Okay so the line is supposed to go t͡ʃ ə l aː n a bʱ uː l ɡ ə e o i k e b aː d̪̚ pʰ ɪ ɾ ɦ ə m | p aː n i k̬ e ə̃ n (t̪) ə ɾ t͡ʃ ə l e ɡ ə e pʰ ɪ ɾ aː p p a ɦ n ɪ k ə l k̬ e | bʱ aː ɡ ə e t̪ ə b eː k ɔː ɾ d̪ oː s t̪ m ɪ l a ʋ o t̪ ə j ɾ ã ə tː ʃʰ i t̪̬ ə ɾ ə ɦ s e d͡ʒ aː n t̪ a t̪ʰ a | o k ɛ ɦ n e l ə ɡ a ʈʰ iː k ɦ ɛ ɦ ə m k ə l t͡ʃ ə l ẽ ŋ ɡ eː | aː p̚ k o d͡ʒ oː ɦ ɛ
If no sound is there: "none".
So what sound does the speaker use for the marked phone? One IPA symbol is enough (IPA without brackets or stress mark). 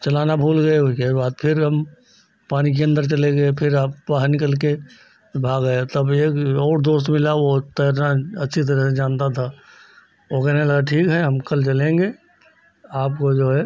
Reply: d̪